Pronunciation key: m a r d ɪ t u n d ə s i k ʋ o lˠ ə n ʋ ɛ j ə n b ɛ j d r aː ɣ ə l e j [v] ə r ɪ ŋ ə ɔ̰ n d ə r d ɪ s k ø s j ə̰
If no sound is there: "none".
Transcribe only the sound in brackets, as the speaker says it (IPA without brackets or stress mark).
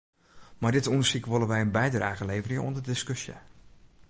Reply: v